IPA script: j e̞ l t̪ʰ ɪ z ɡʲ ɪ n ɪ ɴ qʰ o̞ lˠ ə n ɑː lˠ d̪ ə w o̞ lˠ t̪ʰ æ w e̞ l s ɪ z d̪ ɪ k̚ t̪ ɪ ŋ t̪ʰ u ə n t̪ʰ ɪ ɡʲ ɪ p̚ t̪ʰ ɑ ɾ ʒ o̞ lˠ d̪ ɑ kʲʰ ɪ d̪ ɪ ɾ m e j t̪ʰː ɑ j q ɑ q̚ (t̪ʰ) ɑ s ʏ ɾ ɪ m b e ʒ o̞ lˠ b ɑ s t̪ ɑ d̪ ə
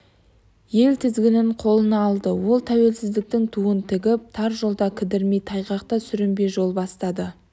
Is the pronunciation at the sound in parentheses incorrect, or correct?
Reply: incorrect